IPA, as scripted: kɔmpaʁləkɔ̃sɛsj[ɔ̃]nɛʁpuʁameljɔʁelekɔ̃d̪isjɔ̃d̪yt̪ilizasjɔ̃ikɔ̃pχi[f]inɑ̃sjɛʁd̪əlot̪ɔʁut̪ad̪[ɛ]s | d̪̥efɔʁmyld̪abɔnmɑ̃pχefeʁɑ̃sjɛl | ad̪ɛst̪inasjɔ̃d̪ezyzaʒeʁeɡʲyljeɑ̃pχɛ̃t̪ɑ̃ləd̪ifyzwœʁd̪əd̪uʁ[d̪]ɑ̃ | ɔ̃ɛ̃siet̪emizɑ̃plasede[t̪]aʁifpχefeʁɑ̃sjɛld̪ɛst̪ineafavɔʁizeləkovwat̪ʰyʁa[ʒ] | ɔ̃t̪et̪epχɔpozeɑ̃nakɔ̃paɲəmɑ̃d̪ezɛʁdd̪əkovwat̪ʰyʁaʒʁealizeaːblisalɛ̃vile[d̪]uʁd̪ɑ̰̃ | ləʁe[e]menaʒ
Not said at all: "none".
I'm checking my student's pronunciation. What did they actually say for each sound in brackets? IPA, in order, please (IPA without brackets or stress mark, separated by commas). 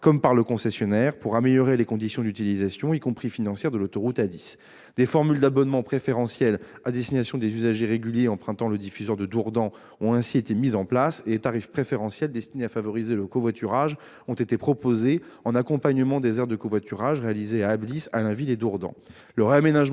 ɔ, f, i, d̪, t̪, ʒ, d̪, a